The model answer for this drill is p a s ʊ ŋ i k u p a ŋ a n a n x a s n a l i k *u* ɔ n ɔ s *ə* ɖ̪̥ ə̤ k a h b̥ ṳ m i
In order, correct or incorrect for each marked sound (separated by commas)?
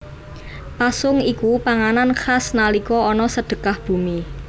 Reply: incorrect, correct